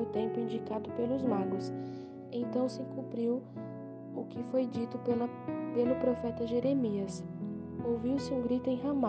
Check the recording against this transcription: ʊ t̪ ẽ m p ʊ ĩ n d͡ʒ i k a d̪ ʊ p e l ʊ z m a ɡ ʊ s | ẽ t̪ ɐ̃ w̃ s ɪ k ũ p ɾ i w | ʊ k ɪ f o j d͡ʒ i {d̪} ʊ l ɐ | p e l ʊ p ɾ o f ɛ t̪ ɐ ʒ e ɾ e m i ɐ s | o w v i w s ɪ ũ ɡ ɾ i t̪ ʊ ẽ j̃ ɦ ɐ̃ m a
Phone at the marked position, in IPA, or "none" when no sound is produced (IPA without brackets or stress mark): t̪